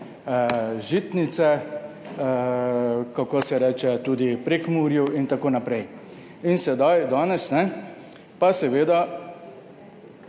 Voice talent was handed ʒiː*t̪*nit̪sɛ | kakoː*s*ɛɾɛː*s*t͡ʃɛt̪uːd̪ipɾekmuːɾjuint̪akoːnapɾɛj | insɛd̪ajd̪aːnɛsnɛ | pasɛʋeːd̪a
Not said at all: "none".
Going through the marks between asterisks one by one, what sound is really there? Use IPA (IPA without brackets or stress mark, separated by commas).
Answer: t̪, s, none